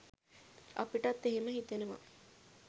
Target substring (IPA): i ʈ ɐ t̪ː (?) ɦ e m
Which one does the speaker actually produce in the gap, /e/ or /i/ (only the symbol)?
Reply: e